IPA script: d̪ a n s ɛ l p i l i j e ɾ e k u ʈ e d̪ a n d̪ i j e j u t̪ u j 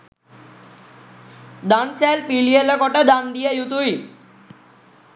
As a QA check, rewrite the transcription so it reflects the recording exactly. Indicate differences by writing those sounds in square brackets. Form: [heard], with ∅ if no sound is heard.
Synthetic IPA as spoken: d̪ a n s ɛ l p i l i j e [l] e k [ɔ] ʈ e d̪ a n d̪ i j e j u t̪ u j